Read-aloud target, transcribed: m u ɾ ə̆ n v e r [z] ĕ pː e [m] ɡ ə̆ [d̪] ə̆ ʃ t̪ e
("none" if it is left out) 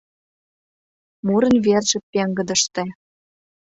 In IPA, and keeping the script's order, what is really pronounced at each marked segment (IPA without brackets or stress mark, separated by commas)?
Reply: ʒ, ŋ, d̪